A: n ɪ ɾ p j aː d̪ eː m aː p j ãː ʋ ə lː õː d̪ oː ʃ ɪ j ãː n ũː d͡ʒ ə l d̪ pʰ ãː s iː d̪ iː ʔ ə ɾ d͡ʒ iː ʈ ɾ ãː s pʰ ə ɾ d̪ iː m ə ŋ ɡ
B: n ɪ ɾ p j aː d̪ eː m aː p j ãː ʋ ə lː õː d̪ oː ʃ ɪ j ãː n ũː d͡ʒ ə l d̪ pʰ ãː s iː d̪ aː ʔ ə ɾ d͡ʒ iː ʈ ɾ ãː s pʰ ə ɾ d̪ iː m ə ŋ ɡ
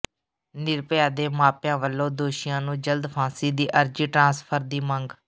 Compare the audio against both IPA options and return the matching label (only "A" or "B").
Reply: A